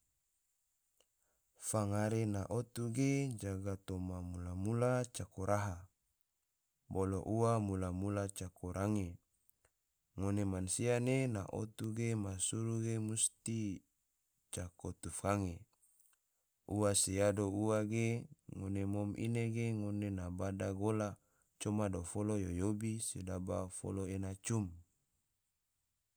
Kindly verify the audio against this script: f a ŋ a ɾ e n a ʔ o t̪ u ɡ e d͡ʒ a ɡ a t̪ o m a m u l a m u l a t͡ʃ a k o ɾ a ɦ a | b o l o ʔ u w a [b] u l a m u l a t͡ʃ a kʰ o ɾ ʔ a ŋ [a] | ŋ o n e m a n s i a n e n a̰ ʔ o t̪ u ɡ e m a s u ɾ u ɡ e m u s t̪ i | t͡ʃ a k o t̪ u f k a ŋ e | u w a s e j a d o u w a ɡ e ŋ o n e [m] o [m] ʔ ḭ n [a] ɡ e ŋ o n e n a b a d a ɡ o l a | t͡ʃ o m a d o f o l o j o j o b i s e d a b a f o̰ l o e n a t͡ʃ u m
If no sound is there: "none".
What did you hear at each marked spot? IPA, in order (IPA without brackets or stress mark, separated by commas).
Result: m, e, m, m, e